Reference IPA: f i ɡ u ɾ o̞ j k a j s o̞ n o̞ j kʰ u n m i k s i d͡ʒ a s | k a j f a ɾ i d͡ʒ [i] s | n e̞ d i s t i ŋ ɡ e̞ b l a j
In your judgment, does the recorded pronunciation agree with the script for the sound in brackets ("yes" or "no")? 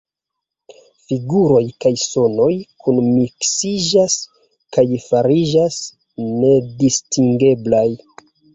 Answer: no